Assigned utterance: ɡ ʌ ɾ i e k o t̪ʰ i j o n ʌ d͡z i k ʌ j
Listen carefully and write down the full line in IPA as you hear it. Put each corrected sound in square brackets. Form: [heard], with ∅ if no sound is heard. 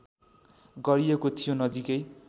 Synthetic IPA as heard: ɡ ʌ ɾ i e k o t̪ʰ i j o n ʌ d͡z i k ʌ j